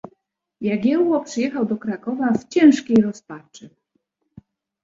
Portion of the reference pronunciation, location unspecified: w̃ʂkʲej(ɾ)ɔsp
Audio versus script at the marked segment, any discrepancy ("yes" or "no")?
no